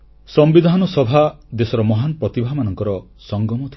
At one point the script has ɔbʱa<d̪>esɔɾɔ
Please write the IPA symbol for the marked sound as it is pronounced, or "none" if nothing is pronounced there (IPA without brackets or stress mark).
d̪